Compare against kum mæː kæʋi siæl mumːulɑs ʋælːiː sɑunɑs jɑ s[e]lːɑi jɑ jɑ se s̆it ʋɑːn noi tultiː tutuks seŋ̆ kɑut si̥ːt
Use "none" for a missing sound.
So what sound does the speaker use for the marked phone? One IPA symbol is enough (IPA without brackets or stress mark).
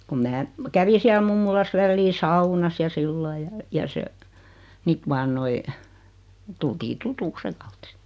i